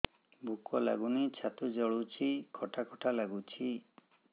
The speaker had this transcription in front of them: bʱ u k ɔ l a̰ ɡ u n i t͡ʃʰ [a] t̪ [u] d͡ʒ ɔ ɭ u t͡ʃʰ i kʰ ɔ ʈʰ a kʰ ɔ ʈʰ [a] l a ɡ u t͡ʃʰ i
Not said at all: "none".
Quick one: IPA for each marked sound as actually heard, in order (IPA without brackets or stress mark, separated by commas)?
a, u, a